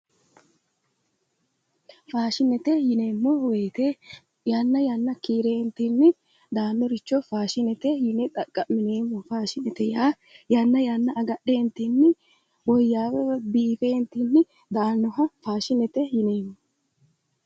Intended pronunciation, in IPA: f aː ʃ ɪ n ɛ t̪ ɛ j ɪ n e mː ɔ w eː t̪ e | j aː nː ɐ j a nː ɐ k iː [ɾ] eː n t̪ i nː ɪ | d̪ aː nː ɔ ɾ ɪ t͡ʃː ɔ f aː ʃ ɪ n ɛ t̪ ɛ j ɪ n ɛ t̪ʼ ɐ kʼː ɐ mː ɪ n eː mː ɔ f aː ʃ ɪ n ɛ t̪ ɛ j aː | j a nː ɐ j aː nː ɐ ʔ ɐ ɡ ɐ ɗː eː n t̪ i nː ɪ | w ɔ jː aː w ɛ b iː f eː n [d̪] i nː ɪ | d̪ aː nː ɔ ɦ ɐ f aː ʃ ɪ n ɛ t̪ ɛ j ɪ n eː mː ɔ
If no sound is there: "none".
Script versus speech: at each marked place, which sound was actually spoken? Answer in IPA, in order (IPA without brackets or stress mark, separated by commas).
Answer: ɾ, t̪